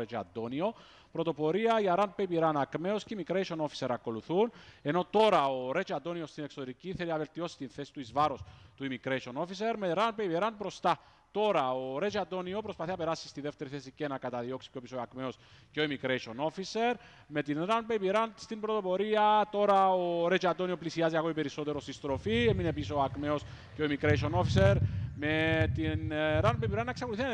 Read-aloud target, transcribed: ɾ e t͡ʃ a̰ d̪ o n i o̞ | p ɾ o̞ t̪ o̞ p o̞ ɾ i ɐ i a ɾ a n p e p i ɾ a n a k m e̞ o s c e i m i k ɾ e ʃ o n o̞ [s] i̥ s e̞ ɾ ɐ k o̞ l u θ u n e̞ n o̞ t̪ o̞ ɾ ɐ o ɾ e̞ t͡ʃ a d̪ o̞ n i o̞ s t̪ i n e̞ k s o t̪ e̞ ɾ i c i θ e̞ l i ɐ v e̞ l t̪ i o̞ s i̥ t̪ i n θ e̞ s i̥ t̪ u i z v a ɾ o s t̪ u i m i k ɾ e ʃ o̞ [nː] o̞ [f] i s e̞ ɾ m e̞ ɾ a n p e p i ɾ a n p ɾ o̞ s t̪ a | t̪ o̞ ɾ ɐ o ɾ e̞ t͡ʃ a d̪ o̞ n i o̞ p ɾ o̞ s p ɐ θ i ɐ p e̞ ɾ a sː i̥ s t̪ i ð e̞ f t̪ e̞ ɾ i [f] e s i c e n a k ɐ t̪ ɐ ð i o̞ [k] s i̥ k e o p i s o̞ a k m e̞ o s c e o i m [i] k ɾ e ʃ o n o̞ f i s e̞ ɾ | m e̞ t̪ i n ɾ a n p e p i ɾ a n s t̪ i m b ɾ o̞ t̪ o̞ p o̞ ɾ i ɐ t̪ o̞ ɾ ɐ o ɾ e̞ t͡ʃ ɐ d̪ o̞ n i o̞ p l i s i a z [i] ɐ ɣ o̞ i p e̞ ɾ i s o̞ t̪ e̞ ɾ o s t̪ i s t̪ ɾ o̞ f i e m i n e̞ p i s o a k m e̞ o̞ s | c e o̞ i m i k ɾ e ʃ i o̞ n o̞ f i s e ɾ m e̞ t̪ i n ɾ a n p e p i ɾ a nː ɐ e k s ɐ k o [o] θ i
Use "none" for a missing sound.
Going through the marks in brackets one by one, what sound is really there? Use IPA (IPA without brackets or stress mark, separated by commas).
f, n, f, θ, k, i, i, u